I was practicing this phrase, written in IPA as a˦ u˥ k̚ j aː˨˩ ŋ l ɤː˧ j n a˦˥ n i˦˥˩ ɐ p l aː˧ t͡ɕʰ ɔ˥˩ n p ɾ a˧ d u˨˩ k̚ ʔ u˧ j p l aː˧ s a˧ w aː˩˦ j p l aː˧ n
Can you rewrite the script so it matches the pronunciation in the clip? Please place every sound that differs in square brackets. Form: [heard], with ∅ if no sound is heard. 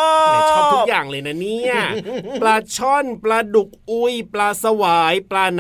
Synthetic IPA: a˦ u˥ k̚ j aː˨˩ ŋ l ɤː˧ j n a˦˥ n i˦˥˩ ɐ p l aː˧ t͡ɕʰ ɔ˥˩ n p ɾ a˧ d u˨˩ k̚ ʔ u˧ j p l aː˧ s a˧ w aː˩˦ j p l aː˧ n